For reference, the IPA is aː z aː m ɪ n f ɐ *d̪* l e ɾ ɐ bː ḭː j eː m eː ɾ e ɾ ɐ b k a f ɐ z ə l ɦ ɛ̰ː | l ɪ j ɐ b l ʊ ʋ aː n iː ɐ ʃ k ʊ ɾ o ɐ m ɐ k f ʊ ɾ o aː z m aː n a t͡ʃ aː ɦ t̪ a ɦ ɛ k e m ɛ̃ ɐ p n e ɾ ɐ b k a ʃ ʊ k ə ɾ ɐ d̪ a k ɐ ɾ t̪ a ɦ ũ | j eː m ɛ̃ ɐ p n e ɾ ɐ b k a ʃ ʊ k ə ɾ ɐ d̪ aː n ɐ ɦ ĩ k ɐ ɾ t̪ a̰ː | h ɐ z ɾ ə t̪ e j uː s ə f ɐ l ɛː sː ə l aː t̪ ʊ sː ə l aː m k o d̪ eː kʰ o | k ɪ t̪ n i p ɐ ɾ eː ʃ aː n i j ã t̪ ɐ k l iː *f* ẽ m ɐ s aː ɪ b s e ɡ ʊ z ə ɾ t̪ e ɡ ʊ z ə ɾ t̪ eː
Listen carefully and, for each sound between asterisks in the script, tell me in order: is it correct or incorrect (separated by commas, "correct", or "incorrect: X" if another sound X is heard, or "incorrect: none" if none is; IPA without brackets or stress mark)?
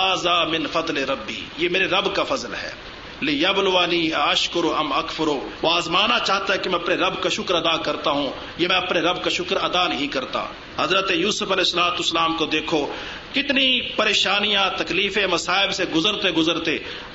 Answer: correct, correct